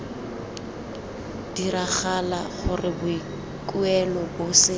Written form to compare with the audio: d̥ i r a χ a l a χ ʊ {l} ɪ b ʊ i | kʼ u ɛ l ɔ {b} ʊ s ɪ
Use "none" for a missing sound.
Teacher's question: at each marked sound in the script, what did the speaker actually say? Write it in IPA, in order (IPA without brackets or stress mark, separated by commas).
r, b